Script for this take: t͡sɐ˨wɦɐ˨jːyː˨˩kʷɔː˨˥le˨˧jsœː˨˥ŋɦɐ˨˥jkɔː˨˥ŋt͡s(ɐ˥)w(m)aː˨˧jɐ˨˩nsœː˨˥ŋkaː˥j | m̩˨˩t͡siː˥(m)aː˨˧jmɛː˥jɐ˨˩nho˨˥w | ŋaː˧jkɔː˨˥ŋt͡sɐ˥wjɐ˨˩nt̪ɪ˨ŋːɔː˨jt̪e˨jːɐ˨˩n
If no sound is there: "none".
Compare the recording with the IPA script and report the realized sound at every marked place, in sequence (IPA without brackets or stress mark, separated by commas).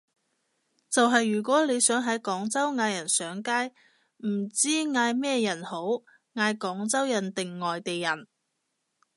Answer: ɐ˥, ŋ, ŋ